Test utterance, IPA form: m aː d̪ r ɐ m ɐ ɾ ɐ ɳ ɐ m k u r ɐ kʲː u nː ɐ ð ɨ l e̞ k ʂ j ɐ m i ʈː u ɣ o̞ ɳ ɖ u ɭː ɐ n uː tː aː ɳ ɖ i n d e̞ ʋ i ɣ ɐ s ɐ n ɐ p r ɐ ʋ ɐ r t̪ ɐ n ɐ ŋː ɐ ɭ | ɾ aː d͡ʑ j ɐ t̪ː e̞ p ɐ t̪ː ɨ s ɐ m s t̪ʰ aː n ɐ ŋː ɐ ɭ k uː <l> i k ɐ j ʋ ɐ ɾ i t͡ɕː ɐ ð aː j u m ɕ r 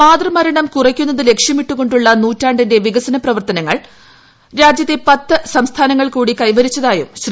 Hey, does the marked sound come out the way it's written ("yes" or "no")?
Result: no